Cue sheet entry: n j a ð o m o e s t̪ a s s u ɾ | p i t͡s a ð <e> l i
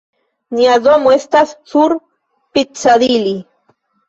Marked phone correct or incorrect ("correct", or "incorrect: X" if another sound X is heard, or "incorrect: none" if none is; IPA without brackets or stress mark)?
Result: incorrect: i